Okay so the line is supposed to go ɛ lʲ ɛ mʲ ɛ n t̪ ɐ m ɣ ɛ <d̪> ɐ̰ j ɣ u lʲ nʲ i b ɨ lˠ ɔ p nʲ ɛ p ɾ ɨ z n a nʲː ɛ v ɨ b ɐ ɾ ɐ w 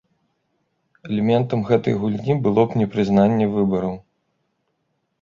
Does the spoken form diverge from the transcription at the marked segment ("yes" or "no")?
yes